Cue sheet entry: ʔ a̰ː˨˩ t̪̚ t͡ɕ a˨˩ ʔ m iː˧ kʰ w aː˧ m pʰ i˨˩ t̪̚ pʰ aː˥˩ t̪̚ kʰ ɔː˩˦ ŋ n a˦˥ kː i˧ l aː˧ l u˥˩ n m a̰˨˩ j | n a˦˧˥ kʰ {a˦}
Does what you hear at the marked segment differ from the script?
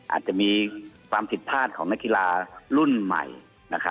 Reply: no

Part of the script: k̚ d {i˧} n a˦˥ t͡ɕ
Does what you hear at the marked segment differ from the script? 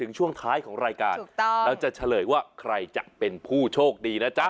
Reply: yes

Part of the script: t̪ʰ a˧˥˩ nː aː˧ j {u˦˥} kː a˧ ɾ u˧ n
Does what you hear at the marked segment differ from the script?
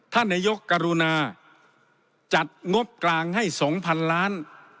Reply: yes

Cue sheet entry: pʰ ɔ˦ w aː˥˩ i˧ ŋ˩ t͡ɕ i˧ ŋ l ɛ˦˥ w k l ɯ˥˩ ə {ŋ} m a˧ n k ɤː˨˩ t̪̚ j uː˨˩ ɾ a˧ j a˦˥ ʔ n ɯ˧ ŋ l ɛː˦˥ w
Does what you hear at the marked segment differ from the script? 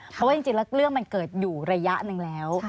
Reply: no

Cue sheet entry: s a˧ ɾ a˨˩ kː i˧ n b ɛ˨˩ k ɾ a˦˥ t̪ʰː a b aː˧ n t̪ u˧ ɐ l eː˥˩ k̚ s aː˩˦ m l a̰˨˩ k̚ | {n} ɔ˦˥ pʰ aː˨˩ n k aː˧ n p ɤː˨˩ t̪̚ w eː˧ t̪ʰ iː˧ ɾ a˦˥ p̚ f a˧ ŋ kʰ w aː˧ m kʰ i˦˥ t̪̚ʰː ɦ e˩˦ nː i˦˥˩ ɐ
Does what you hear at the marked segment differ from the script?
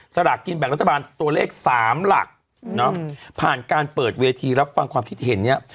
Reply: no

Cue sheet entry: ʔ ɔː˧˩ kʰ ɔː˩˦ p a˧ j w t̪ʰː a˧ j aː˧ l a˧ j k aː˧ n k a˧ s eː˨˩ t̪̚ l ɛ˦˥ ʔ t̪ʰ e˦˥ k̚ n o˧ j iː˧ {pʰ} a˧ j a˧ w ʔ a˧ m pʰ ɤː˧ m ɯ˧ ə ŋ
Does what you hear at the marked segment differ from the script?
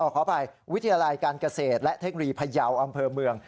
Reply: no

